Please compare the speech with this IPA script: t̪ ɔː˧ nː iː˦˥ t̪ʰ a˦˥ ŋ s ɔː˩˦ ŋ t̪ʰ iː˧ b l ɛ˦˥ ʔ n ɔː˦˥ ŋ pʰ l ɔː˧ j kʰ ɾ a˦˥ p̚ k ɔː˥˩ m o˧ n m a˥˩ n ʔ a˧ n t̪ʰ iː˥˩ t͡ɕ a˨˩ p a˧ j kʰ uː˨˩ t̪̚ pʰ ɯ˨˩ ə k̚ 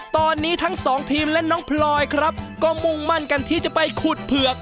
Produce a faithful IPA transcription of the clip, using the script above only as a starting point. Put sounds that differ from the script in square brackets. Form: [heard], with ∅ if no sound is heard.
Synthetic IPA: t̪ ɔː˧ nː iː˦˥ t̪ʰ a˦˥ ŋ s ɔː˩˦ ŋ t̪ʰ iː˧ [m] l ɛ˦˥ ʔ n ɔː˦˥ ŋ pʰ l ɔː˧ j kʰ ɾ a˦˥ p̚ k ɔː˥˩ m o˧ [ŋ] m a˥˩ n [k] a˧ n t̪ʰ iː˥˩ t͡ɕ a˨˩ p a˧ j kʰ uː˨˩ t̪̚ pʰ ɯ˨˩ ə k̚